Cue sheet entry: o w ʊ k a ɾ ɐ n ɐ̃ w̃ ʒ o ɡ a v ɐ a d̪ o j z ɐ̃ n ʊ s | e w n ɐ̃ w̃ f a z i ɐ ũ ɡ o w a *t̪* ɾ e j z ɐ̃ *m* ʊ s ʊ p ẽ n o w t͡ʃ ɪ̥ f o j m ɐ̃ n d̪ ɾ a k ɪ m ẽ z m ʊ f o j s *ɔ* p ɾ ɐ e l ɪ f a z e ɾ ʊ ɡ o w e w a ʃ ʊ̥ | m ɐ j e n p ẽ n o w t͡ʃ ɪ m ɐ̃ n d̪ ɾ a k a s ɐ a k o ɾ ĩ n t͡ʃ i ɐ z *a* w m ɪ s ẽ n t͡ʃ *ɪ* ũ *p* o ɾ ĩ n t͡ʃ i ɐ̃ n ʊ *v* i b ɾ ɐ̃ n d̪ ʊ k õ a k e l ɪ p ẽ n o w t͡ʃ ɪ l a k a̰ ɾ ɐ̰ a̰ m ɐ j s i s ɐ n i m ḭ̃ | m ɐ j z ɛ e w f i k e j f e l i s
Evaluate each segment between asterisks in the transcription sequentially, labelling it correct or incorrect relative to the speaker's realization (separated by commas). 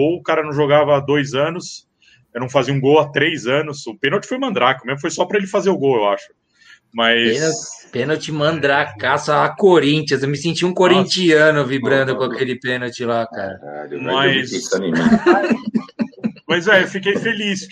correct, incorrect, correct, incorrect, incorrect, incorrect, correct